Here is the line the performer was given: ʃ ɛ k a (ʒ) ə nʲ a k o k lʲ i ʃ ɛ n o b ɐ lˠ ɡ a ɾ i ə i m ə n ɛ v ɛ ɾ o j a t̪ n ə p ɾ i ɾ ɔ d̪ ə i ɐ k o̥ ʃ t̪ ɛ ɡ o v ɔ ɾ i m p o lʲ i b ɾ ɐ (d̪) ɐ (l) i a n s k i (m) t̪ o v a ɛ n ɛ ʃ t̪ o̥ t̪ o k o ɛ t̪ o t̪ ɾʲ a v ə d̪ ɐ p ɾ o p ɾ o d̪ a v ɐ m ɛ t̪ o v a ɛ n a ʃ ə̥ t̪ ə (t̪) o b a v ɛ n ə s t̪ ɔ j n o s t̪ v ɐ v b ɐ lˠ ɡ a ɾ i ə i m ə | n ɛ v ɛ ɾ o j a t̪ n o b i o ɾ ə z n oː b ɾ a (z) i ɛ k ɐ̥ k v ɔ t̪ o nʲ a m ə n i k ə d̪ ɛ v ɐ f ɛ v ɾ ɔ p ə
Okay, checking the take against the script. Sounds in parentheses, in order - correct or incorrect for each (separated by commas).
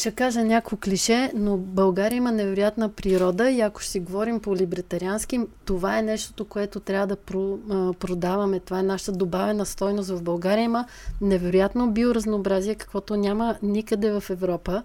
correct, incorrect, incorrect, correct, incorrect, correct